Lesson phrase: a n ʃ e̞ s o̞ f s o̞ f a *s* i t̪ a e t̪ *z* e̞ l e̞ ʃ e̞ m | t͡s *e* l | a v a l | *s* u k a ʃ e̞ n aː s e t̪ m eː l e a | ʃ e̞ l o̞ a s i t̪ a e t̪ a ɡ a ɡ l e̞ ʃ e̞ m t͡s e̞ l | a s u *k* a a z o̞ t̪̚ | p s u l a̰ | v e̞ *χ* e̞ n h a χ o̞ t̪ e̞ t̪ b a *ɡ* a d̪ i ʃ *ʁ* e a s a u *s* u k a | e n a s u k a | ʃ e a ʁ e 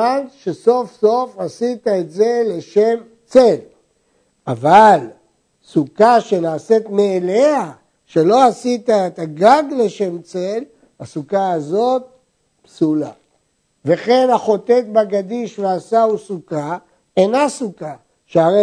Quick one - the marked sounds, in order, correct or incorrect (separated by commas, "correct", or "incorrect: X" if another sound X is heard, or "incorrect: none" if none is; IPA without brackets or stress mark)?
correct, correct, correct, correct, correct, correct, correct, incorrect: v, correct